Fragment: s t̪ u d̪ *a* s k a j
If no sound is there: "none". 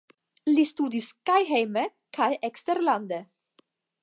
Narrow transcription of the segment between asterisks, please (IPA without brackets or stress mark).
i